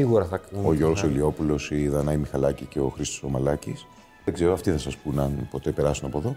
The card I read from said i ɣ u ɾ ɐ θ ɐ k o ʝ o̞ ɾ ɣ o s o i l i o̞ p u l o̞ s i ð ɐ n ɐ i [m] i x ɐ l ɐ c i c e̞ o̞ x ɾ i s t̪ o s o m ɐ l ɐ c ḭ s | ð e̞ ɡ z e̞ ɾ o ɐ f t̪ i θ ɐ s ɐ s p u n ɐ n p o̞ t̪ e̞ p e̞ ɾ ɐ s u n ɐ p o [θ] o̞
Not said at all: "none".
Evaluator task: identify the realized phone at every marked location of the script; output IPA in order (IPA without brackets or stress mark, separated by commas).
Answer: m, ð